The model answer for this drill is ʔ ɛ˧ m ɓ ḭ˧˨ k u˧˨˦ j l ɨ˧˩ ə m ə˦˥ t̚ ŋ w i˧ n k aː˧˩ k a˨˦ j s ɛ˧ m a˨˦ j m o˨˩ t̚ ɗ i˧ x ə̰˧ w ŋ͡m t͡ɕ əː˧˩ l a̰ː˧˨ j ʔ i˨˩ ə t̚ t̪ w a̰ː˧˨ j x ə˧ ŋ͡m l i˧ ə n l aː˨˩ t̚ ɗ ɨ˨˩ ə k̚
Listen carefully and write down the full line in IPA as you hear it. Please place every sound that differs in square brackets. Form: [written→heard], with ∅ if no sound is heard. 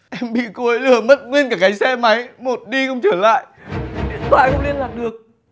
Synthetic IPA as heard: ʔ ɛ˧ m ɓ ḭ˧˨ k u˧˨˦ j l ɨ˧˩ ə m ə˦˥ t̚ ŋ w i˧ n k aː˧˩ k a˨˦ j s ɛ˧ m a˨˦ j m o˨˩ t̚ ɗ i˧ x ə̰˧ w ŋ͡m t͡ɕ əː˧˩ l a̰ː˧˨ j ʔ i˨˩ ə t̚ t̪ w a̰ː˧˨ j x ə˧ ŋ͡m l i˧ ə n l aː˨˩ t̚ ɗ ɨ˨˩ ə k̚

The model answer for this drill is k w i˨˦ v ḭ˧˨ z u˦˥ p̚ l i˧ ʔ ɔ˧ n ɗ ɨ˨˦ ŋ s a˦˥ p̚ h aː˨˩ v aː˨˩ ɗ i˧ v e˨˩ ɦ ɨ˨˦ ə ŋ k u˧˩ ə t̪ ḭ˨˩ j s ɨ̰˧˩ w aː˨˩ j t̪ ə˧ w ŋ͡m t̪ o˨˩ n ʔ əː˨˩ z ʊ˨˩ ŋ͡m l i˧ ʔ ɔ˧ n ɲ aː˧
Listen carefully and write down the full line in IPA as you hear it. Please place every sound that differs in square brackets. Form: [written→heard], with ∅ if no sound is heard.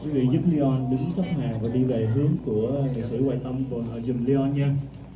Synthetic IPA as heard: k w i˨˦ v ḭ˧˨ z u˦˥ p̚ l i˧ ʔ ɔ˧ n ɗ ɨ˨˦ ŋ s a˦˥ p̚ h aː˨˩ v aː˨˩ ɗ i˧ v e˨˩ ɦ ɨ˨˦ ə ŋ k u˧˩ ə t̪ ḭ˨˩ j s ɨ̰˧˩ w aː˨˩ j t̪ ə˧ w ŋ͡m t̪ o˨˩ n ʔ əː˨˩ z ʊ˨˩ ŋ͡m l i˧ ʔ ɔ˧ n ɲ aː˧

